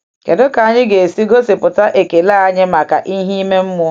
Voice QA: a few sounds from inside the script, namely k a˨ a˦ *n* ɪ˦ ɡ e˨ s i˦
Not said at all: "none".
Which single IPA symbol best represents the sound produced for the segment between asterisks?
ɲ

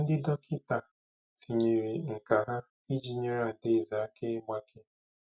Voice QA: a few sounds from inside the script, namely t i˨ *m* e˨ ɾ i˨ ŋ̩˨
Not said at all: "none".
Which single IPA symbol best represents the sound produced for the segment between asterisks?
ɲ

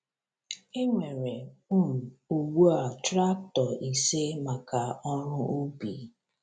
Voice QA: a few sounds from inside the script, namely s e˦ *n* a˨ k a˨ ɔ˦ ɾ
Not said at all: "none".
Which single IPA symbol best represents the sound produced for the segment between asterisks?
m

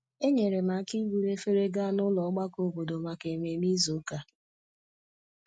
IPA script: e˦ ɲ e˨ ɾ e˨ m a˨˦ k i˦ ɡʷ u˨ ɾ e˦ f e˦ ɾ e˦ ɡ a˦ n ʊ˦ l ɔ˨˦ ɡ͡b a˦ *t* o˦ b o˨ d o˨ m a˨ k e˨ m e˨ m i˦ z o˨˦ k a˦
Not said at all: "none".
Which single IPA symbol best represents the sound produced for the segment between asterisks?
k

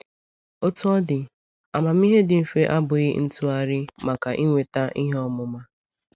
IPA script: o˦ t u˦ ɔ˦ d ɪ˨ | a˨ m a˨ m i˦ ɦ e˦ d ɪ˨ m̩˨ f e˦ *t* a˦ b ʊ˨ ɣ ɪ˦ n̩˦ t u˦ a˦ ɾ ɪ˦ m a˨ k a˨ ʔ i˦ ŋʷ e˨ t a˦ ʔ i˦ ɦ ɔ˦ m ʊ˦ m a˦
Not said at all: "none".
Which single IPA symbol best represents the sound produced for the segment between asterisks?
ʔ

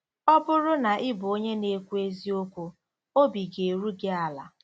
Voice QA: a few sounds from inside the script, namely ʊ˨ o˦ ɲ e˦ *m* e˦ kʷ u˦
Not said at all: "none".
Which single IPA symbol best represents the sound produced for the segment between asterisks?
n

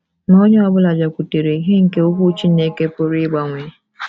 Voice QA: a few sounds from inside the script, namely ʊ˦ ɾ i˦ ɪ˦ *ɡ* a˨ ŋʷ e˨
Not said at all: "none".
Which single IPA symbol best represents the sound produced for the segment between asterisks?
ɡ͡b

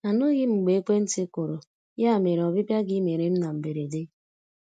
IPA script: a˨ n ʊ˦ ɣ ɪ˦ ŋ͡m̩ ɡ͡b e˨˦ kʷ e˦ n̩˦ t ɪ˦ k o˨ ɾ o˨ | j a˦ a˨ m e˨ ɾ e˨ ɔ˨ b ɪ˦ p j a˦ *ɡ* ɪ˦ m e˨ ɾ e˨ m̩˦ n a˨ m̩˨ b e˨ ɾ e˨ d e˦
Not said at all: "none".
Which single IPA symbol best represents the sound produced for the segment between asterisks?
ɡ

